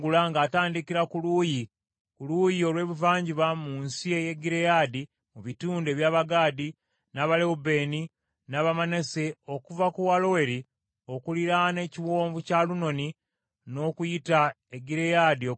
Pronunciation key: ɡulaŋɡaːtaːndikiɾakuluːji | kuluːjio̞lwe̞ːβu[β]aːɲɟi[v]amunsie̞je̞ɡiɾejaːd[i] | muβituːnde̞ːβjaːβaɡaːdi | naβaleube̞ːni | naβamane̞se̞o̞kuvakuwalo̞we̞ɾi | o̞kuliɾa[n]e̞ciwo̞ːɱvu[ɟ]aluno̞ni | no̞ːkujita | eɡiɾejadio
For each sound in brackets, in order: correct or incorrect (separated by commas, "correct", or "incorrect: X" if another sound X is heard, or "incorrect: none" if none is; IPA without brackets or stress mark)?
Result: incorrect: v, incorrect: β, correct, correct, incorrect: c